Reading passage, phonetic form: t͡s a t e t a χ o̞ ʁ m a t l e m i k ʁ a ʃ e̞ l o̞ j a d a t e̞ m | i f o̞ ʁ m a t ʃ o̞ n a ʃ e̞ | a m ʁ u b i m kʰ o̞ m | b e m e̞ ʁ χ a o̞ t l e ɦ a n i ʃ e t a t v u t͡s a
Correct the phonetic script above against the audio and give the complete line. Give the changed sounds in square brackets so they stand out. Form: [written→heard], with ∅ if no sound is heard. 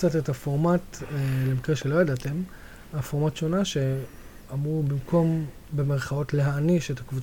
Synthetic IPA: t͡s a t e t a [χ→f] o̞ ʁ m a t l e m i k ʁ [a→e] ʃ e̞ l o̞ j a d a t e̞ m | [i→a] f o̞ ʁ m a t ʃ o̞ n a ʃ e̞ | a m ʁ u b i m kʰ o̞ m | b e m e̞ ʁ χ a o̞ t l e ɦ a n i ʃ e t a [t→k] v u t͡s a